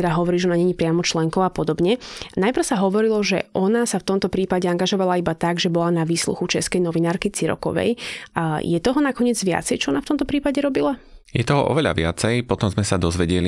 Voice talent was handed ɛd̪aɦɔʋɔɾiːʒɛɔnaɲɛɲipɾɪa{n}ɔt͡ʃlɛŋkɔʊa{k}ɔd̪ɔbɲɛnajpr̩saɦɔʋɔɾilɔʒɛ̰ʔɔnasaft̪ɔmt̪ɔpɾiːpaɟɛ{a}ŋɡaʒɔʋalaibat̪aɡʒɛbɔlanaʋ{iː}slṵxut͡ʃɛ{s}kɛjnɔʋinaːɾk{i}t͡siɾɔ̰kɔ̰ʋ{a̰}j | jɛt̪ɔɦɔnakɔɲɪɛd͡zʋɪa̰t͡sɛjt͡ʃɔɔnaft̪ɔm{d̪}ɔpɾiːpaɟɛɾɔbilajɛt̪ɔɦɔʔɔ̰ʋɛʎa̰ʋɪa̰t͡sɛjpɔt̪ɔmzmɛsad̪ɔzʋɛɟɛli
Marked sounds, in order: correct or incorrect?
incorrect, incorrect, correct, correct, correct, correct, incorrect, incorrect

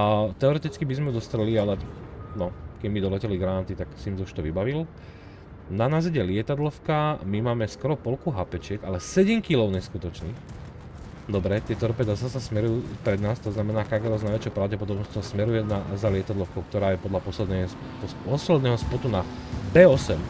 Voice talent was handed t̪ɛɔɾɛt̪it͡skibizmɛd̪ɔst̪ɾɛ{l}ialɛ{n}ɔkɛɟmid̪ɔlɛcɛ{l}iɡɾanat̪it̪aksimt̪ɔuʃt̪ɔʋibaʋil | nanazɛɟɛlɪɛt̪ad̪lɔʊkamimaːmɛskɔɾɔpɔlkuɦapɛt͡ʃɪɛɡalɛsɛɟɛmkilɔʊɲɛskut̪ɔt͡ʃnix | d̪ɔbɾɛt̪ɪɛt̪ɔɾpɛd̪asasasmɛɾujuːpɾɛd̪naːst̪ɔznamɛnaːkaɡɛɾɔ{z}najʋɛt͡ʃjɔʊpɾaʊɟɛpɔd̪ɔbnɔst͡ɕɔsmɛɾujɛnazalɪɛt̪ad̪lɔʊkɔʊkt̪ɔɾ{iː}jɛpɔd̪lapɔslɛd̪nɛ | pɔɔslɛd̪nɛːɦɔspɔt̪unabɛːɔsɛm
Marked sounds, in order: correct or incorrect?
correct, correct, correct, correct, incorrect

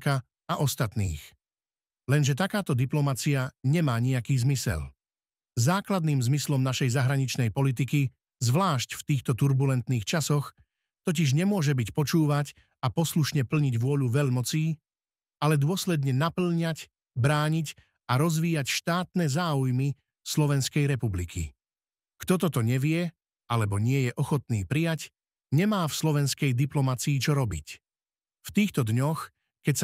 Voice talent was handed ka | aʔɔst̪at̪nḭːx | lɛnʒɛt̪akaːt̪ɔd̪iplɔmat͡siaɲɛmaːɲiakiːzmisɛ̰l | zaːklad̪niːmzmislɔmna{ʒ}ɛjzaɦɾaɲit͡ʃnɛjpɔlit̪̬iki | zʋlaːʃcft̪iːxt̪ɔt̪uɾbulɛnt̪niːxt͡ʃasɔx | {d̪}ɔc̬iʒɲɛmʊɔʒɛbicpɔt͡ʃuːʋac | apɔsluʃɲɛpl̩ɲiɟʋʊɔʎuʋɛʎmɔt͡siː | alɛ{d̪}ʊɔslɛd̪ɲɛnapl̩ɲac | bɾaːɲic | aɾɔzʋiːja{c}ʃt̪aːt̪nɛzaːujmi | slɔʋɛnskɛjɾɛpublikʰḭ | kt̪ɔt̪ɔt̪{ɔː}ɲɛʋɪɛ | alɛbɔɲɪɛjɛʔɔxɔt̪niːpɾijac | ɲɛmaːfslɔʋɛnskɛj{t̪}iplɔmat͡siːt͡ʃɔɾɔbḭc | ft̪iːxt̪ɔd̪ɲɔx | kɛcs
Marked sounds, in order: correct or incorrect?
incorrect, incorrect, correct, correct, incorrect, incorrect

